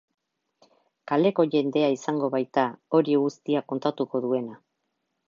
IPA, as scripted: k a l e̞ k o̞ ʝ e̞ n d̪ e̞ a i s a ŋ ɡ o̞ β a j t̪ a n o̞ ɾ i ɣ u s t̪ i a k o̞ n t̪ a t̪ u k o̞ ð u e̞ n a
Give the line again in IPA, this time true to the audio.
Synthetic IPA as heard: k a l e̞ k o̞ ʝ e̞ n d̪ e̞ a i s a ŋ ɡ o̞ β a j t̪ a o̞ ɾ i ɣ u s t̪ i a k o̞ n t̪ a t̪ u k o̞ ð u e̞ n a